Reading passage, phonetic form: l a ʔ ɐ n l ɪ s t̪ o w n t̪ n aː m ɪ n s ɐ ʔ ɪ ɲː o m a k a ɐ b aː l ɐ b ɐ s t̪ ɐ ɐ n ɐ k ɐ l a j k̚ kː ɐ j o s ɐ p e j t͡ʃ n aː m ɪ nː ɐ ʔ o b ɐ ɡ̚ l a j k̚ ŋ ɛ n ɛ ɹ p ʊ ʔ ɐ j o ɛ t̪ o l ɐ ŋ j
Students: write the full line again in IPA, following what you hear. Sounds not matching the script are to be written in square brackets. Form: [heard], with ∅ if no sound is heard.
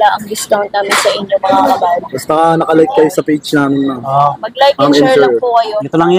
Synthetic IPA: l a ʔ ɐ [ŋ] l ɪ s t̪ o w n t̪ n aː m ɪ n s ɐ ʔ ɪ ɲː o m [ɐ] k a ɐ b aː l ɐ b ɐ s t̪ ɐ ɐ n ɐ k ɐ l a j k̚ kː ɐ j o s ɐ p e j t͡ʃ n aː m ɪ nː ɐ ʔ o [m] ɐ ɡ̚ l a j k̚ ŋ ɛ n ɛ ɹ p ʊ [k] ɐ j o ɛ t̪ o l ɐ ŋ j